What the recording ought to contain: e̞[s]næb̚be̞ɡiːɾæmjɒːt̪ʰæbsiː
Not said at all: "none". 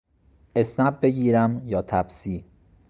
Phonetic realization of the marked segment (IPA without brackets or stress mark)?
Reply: s